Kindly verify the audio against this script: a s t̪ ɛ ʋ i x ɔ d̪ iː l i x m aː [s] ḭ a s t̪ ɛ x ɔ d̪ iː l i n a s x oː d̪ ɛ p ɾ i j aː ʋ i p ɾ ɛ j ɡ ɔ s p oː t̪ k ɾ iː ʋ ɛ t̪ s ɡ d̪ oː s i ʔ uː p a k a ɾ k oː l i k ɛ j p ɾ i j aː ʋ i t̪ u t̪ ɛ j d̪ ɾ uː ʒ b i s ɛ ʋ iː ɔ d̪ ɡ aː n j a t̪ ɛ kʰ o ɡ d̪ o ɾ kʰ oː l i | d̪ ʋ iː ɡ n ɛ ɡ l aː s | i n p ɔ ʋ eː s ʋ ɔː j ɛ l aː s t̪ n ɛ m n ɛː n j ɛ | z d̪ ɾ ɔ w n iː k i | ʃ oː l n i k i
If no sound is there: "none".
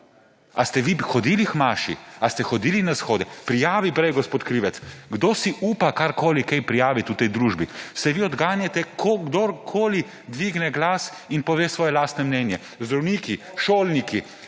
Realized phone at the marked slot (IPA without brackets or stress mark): ʃ